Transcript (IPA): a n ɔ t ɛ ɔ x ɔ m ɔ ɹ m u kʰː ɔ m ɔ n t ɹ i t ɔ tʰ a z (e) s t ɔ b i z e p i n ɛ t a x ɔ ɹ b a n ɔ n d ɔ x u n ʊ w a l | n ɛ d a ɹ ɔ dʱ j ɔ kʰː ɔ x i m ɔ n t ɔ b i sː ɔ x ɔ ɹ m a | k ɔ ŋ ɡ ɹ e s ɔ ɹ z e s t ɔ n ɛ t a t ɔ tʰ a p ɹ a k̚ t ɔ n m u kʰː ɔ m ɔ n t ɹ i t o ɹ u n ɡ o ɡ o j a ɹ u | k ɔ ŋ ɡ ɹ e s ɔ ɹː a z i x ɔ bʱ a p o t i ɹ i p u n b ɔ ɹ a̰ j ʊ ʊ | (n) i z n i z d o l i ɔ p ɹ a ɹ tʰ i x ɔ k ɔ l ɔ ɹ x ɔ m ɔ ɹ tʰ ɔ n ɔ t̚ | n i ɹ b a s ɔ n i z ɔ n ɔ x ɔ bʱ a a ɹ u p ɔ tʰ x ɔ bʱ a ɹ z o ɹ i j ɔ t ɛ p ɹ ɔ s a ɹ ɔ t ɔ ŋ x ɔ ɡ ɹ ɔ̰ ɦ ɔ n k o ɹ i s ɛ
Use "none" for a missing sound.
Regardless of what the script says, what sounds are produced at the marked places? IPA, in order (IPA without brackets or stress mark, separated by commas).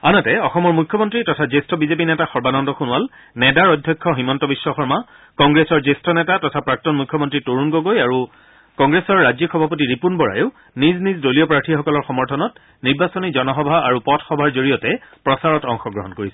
e, n